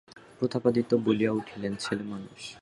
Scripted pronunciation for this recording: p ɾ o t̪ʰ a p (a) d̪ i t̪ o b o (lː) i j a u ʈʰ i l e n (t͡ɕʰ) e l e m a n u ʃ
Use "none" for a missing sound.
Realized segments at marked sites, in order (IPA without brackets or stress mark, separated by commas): a, l, t͡ɕʰ